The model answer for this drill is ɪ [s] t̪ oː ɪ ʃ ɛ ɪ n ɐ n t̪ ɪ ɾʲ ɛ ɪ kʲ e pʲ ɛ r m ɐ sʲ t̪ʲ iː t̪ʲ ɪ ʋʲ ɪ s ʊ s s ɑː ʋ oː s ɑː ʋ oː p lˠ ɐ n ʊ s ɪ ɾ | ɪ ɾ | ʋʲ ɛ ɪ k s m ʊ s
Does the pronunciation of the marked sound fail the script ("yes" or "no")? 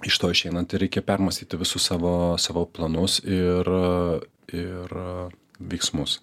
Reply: yes